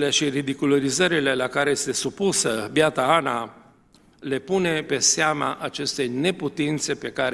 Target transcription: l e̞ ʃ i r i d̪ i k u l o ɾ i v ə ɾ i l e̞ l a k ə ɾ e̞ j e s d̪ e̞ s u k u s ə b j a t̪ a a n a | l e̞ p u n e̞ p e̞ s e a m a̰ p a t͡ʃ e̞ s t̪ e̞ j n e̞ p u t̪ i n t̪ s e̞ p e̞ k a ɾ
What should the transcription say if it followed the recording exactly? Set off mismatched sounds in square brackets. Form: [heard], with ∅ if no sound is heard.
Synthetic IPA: l e̞ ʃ i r i d̪ i k u l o ɾ i [z] ə ɾ i l e̞ l a k [a] ɾ e̞ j e s [t̪] e̞ s u [p] u s ə b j a t̪ a a n a | l e̞ p u n e̞ p e̞ s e a m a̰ [ʔ] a t͡ʃ e̞ s t̪ e̞ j n e̞ p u t̪ i n t̪ s e̞ p e̞ k a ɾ